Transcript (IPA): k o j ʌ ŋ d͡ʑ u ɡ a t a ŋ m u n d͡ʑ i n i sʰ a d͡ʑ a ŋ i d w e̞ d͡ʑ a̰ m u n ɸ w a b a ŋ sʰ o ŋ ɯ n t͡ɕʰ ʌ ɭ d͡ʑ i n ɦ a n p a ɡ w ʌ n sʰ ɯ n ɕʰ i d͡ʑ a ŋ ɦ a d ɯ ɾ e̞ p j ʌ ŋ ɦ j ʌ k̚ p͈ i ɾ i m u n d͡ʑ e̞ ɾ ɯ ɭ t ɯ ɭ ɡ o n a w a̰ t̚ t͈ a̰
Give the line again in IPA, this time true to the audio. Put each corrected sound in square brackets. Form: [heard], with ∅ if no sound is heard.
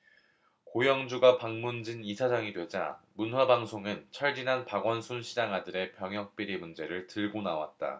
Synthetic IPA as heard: k o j ʌ ŋ d͡ʑ u ɡ a [p] a ŋ m u n d͡ʑ i n i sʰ a d͡ʑ a ŋ i d w e̞ d͡ʑ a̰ m u n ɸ w a b a ŋ sʰ o ŋ ɯ n t͡ɕʰ ʌ ɭ d͡ʑ i n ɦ a n p a ɡ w ʌ n sʰ [u] n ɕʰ i d͡ʑ a ŋ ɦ a d ɯ ɾ e̞ p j ʌ ŋ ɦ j ʌ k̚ p͈ i ɾ i m u n d͡ʑ e̞ ɾ ɯ ɭ t ɯ ɭ ɡ o n a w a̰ t̚ t͈ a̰